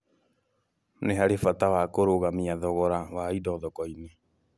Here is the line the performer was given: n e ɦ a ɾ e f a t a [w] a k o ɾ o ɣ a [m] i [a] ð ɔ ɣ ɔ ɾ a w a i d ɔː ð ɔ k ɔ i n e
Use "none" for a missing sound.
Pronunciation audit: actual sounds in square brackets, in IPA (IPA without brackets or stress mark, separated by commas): w, m, a